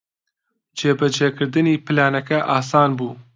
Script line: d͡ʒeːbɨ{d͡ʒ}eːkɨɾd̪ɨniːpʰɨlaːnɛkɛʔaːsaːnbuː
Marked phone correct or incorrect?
correct